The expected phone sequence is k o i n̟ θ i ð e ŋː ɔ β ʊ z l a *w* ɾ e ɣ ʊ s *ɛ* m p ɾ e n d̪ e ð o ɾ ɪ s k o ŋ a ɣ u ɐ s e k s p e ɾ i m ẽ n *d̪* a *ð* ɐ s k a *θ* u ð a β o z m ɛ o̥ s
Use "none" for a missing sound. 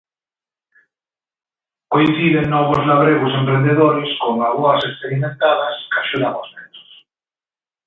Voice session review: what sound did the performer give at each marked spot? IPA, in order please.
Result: β, e, t̪, ð, ʃ

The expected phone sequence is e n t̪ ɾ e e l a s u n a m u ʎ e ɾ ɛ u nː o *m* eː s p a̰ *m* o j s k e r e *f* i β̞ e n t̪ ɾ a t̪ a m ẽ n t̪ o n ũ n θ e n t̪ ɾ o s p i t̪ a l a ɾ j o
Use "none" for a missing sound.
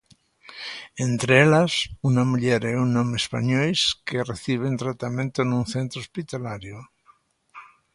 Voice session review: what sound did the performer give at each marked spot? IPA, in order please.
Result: m, ɲ, θ

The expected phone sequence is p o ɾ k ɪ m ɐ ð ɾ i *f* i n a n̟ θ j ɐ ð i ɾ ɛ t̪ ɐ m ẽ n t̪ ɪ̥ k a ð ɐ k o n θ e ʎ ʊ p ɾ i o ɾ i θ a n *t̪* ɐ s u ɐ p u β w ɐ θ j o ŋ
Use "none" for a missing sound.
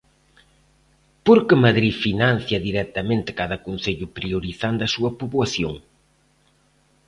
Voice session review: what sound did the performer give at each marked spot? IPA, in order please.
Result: f, d̪

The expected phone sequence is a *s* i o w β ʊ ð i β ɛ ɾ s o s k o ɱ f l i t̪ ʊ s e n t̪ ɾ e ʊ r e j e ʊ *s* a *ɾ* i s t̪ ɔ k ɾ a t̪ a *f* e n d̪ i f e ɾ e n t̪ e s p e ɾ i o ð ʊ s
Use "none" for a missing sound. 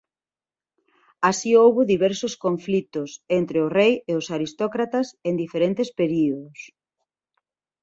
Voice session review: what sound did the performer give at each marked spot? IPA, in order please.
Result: s, s, ɾ, s

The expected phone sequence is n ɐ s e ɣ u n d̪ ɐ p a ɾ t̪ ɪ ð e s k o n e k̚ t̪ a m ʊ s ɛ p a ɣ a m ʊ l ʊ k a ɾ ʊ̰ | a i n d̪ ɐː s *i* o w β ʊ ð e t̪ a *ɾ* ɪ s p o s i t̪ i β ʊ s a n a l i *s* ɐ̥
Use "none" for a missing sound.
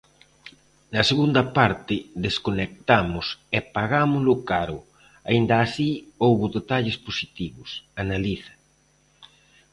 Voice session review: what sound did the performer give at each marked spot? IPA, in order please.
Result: i, ʎ, θ

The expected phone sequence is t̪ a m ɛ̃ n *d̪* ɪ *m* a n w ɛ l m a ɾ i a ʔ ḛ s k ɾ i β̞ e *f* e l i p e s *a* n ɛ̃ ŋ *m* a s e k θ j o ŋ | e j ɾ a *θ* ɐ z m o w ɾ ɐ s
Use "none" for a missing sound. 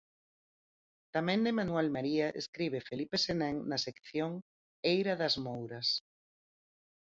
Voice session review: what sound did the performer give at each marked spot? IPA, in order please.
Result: d̪, m, f, e, n, ð

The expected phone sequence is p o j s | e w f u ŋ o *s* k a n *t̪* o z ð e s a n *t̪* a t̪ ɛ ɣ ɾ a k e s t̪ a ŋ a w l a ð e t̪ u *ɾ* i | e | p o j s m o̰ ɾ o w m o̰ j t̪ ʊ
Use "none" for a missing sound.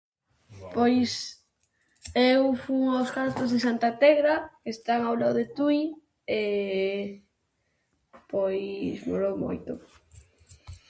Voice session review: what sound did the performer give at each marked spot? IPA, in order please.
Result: s, t̪, t̪, none

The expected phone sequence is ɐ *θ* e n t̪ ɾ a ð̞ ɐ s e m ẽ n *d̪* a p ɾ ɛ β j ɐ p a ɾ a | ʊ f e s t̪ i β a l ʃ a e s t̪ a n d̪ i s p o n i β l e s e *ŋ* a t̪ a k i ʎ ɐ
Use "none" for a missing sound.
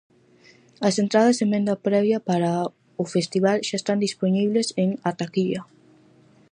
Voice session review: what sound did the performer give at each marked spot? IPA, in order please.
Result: s, d̪, ŋ

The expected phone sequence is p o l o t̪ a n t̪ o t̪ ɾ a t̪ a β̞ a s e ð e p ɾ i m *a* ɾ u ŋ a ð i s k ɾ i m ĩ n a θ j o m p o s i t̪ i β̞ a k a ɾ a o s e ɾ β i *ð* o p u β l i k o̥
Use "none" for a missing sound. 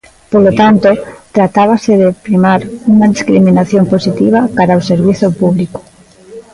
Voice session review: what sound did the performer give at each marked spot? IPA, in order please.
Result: a, θ

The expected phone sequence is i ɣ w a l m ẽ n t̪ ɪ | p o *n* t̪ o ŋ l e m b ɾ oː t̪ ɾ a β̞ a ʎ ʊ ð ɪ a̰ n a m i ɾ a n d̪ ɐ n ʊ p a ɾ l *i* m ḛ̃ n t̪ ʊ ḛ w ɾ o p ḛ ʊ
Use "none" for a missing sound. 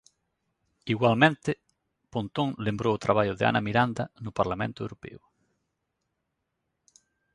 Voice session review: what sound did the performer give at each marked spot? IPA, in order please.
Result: n, a

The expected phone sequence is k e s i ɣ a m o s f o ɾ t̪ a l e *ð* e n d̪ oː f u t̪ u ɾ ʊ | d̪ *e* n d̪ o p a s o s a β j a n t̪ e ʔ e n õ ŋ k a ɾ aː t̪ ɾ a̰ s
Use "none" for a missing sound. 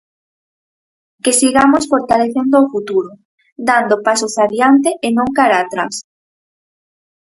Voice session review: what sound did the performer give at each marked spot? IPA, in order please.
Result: θ, a

